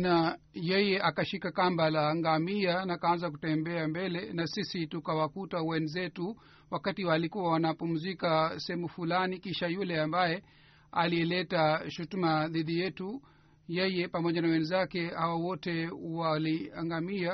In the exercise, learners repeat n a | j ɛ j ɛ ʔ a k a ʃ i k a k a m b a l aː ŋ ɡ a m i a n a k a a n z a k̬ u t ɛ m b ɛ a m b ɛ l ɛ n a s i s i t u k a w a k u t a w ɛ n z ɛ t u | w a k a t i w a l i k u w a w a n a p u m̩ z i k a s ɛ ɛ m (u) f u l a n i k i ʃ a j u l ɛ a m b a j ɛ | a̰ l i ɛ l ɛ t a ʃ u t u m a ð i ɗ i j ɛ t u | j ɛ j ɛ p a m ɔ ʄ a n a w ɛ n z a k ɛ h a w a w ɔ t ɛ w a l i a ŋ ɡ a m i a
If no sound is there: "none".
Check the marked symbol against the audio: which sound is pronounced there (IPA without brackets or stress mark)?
u